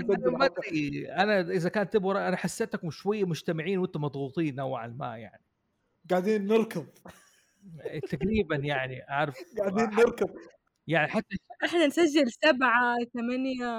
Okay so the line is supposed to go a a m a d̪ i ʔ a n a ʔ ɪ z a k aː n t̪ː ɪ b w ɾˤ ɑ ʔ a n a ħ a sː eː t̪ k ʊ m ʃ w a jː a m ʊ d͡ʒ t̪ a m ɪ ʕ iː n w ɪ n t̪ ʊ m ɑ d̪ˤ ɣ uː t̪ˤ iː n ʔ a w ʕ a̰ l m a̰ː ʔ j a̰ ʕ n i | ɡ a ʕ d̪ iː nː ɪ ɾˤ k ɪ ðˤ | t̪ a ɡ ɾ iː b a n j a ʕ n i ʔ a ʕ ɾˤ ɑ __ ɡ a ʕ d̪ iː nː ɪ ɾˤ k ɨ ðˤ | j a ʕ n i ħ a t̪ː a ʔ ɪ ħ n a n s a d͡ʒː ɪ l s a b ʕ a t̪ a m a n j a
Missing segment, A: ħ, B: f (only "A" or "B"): B